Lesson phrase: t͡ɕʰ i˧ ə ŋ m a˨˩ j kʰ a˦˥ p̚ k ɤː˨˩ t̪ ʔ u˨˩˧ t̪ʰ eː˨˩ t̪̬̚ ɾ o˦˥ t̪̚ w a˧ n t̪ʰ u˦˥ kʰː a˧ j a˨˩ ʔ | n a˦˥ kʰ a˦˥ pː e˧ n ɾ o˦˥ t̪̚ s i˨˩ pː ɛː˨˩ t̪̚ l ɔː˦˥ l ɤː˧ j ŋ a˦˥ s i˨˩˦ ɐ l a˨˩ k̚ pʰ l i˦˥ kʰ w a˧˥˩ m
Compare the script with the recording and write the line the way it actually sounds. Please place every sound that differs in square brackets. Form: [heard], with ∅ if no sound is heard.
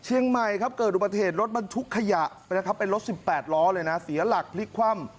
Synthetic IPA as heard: t͡ɕʰ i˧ ə ŋ m a˨˩ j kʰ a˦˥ p̚ k ɤː˨˩ t̪ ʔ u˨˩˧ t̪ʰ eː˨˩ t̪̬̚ ɾ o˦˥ t̪̚ [b] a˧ n t̪ʰ u˦˥ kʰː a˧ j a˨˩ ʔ | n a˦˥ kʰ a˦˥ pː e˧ n ɾ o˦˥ t̪̚ s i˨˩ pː ɛː˨˩ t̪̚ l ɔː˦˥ l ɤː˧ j [n] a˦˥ s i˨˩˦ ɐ l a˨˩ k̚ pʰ l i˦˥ kʰ w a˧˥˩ m